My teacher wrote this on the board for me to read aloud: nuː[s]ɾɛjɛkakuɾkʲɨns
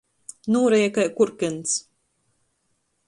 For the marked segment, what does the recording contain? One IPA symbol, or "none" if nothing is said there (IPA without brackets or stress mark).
none